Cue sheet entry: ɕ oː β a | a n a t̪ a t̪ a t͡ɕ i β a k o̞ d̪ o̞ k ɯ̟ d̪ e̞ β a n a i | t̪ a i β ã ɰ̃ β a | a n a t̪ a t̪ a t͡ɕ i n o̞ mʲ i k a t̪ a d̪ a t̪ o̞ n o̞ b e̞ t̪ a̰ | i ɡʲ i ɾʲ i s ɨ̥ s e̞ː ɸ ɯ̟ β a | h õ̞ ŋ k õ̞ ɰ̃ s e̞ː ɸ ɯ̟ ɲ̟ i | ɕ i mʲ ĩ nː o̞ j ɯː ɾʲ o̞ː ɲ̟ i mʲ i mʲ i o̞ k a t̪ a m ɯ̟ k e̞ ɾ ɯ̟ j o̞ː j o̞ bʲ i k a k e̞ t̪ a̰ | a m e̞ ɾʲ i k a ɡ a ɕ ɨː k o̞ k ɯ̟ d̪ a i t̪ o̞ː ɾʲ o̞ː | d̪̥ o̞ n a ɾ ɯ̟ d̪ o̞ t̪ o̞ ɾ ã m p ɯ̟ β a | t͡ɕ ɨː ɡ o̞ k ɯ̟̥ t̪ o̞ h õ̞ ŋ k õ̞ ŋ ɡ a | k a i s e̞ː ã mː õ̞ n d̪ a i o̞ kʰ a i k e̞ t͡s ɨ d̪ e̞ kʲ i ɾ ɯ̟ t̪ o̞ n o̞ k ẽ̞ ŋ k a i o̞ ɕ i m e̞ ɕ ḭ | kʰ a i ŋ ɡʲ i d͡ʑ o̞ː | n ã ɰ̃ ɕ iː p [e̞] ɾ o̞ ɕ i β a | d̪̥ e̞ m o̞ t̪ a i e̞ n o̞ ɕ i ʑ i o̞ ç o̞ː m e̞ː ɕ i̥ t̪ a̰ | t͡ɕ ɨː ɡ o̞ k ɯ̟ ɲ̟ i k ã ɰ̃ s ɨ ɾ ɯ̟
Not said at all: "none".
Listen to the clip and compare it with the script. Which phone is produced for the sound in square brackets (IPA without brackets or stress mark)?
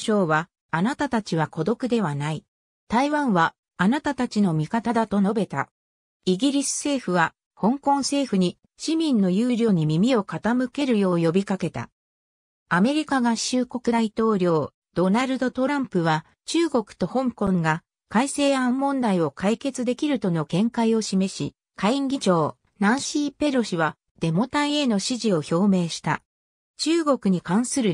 e̞